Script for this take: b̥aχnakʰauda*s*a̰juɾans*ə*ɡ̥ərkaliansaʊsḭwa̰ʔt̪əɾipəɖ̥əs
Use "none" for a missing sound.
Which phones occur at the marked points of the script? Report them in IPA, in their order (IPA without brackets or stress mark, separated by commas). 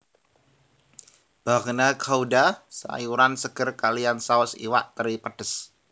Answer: s, ə